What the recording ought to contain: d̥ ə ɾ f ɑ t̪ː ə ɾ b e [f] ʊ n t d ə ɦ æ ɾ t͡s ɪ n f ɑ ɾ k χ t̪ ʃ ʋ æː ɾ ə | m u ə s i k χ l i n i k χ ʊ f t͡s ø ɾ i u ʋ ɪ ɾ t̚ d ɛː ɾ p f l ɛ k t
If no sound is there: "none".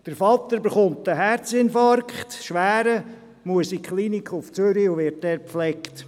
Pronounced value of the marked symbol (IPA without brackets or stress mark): χ